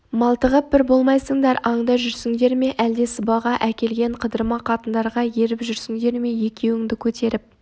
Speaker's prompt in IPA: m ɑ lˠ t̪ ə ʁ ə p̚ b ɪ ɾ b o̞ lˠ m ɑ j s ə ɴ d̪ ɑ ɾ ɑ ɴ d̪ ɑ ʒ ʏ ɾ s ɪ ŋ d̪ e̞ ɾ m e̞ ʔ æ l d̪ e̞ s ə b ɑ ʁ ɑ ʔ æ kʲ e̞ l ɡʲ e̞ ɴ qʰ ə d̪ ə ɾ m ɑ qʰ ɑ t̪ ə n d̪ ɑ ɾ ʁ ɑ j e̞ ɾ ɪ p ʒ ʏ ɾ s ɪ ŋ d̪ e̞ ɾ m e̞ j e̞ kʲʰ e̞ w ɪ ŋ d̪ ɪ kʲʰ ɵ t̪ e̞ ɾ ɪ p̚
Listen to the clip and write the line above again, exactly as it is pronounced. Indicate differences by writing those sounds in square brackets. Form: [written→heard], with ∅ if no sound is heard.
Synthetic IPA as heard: m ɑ lˠ t̪ ə ʁ ə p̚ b ɪ ɾ b o̞ lˠ m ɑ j s ə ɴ d̪ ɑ ɾ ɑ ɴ d̪ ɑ ʒ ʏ ɾ s ɪ ŋ d̪ e̞ ɾ m e̞ ʔ æ l d̪ e̞ s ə b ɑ ʁ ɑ ʔ æ kʲ e̞ l ɡʲ e̞ ɴ qʰ ə d̪ ə ɾ m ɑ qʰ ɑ t̪ ə n d̪ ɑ ɾ ʁ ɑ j e̞ ɾ ɪ p ʒ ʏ ɾ s ɪ ŋ d̪ e̞ ɾ m e̞ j e̞ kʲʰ e̞ w ɪ ŋ d̪ ɪ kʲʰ ɵ t̪ e̞ ɾ ɪ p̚